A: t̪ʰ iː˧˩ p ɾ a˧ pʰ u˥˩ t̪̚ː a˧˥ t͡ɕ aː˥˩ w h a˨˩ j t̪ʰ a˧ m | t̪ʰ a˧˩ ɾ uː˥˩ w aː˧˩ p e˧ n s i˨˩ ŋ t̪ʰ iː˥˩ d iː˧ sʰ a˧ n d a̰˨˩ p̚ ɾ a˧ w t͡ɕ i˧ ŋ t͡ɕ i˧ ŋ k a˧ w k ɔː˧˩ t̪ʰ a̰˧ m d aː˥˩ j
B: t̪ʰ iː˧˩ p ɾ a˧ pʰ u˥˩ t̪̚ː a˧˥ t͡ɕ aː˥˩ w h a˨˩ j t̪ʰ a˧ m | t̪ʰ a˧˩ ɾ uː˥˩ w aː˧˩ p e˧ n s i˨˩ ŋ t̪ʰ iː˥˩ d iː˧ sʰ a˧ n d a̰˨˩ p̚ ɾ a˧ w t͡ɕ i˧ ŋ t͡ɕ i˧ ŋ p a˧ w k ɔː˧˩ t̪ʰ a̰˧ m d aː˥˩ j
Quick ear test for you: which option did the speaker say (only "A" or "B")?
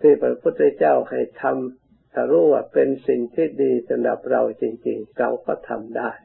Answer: A